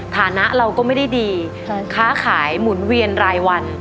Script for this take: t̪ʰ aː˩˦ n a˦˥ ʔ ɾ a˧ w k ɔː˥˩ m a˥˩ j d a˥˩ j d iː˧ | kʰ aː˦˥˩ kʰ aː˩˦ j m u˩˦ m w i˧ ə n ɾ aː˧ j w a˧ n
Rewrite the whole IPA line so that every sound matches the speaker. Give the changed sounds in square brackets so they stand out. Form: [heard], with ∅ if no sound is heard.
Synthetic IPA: t̪ʰ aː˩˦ n a˦˥ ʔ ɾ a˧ w k ɔː˥˩ m a˥˩ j d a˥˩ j d iː˧ | kʰ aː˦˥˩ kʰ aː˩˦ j m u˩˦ [n] w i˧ ə n ɾ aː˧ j w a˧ n